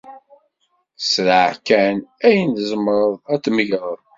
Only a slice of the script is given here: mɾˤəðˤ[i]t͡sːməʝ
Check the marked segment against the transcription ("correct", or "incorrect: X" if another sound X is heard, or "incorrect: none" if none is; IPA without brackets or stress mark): incorrect: æ